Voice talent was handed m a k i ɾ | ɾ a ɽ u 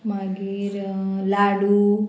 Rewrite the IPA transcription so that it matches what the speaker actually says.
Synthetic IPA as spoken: m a ɡ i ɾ | l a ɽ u